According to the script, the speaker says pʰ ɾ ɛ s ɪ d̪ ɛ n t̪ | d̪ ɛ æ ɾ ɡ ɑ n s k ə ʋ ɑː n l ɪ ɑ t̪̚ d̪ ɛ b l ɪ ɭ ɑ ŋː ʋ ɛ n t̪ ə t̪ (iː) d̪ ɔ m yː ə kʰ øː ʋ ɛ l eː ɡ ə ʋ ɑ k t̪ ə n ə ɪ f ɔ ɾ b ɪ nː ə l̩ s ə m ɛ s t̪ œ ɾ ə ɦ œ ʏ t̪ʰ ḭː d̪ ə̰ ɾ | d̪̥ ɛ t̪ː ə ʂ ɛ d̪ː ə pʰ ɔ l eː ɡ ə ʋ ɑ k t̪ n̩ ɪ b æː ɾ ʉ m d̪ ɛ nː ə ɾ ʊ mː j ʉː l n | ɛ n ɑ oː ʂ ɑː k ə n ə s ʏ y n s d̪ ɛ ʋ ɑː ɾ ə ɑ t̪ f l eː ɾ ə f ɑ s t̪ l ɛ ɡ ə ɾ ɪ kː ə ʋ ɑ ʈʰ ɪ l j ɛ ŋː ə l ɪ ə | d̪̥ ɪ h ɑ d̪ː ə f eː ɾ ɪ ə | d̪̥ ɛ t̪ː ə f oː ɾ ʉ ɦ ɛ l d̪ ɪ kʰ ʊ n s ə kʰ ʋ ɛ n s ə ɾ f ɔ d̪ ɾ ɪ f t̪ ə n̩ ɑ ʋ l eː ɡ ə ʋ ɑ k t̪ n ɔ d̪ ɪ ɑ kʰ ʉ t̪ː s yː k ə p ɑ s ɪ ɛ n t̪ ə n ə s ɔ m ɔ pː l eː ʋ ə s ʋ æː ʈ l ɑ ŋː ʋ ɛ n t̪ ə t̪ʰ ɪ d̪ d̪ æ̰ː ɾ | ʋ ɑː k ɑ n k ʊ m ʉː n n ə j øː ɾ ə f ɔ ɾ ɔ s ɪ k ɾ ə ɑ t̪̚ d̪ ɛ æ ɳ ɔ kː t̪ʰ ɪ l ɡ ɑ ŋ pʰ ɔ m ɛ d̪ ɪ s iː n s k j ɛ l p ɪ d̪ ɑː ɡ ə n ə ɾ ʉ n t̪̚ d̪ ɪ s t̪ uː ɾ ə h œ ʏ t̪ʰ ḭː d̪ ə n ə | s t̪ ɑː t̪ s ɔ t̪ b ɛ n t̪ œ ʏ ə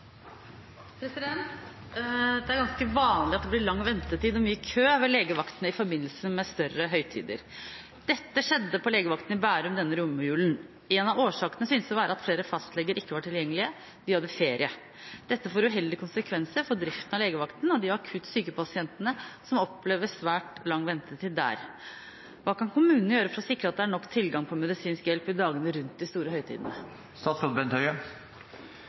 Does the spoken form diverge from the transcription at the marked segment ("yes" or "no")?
no